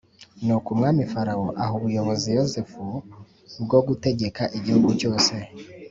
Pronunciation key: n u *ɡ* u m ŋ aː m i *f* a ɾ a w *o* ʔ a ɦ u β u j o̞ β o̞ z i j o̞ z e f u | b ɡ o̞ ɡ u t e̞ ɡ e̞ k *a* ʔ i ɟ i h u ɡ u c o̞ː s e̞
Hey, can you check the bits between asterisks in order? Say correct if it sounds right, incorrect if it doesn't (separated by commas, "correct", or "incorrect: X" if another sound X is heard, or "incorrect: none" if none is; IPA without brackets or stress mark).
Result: incorrect: k, correct, correct, correct